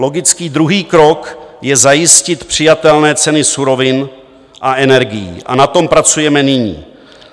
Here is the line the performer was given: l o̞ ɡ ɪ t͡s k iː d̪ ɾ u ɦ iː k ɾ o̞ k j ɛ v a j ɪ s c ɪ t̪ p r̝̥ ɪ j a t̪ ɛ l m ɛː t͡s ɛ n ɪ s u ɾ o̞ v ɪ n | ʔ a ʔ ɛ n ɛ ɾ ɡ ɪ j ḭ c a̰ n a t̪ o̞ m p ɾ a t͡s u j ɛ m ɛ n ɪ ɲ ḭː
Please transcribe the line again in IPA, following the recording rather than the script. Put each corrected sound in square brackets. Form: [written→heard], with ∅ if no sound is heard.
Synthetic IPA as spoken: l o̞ ɡ ɪ t͡s k iː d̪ ɾ u ɦ iː k ɾ o̞ k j ɛ [v→z] a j ɪ s c ɪ t̪ p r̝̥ ɪ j a t̪ ɛ l [m→n] ɛː t͡s ɛ n ɪ s u ɾ o̞ v ɪ n | ʔ a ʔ ɛ n ɛ ɾ ɡ ɪ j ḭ [c→ʔ] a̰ n a t̪ o̞ m p ɾ a t͡s u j ɛ m ɛ n ɪ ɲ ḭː